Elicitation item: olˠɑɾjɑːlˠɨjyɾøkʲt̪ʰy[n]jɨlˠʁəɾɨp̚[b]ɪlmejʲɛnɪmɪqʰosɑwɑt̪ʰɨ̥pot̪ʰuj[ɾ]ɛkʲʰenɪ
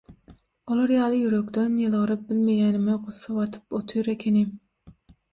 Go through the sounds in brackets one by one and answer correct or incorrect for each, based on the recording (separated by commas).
correct, correct, correct